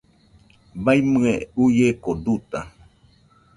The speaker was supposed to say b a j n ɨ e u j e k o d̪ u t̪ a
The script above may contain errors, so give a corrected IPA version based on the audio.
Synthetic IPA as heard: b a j m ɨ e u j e k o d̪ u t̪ a